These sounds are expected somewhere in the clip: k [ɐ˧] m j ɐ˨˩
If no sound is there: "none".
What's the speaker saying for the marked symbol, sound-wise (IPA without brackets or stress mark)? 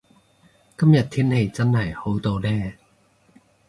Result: ɐ˥